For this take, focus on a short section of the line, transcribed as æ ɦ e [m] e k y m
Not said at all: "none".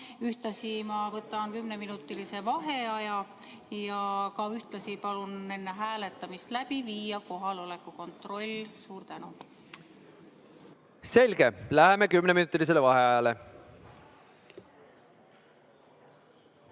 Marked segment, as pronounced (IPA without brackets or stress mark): m